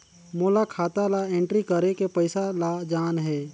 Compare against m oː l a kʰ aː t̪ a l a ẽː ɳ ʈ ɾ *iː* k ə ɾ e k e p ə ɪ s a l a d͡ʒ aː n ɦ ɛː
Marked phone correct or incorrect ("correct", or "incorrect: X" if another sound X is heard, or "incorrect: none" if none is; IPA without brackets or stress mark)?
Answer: incorrect: i